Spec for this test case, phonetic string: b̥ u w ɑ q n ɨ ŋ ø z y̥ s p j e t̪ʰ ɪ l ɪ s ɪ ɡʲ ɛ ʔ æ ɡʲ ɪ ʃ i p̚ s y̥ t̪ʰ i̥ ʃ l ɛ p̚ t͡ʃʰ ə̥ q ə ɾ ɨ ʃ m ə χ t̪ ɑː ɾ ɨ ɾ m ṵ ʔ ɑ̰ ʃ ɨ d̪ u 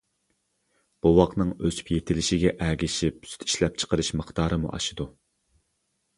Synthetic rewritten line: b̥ u w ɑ q n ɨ ŋ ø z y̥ p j e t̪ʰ ɪ l ɪ ʃ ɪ ɡʲ ɛ ʔ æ ɡʲ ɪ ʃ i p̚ s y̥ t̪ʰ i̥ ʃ l ɛ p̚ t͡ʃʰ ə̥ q ə ɾ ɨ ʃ m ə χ t̪ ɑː ɾ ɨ m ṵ ʔ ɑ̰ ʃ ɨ d̪ u